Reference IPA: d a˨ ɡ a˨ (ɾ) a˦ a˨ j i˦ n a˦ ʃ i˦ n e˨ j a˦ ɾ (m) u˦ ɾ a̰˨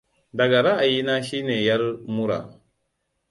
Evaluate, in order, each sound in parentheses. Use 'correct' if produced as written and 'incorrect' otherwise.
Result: correct, correct

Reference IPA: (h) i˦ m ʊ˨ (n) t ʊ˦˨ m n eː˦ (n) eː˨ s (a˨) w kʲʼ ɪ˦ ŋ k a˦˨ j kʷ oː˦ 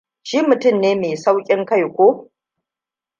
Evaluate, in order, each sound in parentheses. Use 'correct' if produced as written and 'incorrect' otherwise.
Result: incorrect: ʃ, incorrect: none, incorrect: m, incorrect: a˦

